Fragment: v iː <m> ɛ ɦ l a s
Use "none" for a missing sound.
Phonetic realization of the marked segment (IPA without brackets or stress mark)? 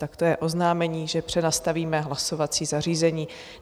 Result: m